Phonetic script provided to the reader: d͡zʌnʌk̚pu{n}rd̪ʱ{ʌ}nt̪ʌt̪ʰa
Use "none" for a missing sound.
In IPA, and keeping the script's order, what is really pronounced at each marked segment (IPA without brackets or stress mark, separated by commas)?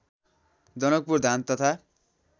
none, a